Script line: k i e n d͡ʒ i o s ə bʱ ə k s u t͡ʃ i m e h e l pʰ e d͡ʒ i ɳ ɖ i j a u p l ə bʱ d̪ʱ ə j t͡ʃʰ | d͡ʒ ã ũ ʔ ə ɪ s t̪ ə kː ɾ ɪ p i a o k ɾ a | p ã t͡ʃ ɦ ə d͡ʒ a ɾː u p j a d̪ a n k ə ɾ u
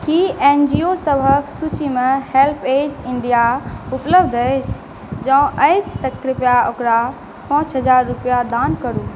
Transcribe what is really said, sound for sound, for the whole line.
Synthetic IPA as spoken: k i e n d͡ʒ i o s ə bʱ ə k s u t͡ʃ i m e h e l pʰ e d͡ʒ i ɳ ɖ i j a u p l ə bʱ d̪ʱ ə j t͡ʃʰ | d͡ʒ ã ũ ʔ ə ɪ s t̪ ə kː ɾ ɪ p j a o k ɾ a | p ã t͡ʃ ɦ ə d͡ʒ a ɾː u p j a d̪ a n k ə ɾ u